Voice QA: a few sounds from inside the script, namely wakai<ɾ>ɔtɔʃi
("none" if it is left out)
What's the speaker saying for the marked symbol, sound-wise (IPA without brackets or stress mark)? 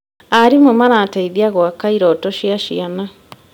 ɾ